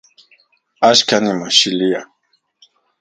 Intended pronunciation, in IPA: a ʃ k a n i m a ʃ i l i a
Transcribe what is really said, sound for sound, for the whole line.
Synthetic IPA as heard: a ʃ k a n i m a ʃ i l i a